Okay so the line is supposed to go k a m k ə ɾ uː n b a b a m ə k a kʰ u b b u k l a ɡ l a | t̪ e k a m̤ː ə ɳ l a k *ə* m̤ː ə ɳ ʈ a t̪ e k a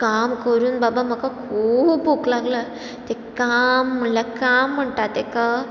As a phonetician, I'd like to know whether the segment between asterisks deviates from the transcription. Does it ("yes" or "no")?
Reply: yes